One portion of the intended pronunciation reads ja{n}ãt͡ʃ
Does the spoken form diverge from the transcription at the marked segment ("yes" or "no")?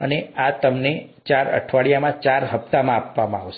yes